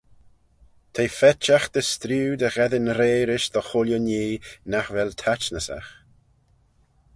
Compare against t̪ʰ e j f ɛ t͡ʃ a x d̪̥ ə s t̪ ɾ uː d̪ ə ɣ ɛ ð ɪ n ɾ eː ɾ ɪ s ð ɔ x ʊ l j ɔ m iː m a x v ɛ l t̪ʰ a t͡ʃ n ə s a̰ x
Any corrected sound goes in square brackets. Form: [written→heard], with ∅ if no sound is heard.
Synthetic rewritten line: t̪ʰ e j f ɛ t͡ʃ a x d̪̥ ə s t̪ ɾ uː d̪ ə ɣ ɛ ð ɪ n ɾ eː ɾ ɪ [s→ʃ] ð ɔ x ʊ l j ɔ [m→n] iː [m→n] a x v ɛ l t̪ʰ a t͡ʃ n ə s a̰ x